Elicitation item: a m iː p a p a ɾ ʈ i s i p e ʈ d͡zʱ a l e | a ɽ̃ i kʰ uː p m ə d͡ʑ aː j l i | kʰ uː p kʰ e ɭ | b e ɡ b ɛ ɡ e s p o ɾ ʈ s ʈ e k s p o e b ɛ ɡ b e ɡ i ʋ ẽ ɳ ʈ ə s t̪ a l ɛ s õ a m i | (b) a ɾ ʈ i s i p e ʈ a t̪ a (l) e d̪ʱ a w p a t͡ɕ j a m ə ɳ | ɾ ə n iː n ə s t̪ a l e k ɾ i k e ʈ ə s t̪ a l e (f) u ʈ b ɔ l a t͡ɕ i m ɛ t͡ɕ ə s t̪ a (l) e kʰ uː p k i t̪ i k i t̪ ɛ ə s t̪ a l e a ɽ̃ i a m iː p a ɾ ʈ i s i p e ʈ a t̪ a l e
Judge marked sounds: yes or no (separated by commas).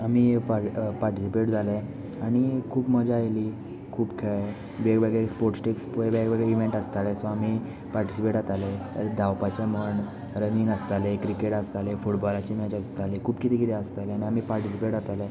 no, yes, yes, yes